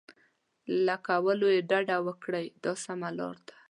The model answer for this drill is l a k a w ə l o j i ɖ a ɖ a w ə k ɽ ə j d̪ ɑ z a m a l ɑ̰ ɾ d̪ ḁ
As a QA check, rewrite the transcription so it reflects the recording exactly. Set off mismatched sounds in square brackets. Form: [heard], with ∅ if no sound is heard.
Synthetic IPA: l a k a w ə l o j [e] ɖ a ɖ a w ə k ɽ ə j d̪ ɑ [s] a m a l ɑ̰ ɾ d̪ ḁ